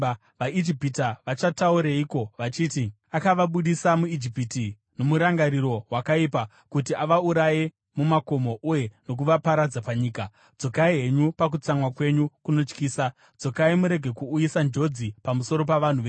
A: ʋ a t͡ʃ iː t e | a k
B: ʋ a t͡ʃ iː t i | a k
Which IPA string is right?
B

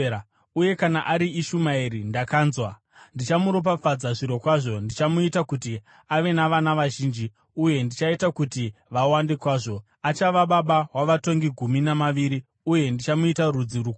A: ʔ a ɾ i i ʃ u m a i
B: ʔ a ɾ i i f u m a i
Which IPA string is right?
A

